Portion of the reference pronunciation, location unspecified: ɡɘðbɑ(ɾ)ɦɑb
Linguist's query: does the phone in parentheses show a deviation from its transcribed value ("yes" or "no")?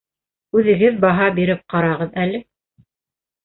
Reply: yes